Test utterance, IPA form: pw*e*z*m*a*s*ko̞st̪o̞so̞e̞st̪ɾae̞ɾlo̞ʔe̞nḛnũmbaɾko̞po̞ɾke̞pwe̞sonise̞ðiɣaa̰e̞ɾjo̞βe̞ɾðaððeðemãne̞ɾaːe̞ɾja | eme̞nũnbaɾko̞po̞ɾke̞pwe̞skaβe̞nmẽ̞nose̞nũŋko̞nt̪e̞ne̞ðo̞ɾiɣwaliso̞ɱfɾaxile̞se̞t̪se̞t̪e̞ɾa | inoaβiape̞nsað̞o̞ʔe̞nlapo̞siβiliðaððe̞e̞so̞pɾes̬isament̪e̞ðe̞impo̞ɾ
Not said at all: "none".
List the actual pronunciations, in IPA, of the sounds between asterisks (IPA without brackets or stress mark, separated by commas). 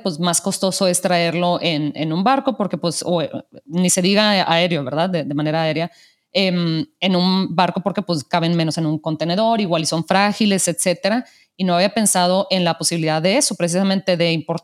e, m, s